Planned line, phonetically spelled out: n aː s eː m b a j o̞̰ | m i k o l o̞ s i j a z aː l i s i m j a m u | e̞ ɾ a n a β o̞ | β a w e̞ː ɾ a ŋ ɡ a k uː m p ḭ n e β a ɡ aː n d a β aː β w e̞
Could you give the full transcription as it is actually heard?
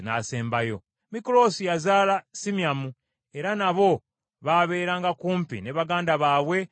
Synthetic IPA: n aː s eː m b a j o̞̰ | m i k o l o̞ s i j a z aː l a s i m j a m u | e̞ ɾ a n a β o̞ | β a β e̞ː ɾ a ŋ ɡ a k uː m p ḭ n e β a ɡ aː n d a β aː β w e̞